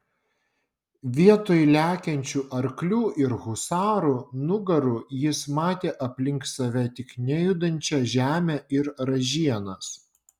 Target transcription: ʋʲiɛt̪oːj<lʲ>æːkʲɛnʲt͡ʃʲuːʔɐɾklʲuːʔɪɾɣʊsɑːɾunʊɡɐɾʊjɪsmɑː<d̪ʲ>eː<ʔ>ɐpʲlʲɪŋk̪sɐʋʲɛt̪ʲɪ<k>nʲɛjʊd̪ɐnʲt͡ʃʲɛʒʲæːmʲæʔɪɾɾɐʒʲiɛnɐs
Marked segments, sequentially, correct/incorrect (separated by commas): correct, incorrect, correct, correct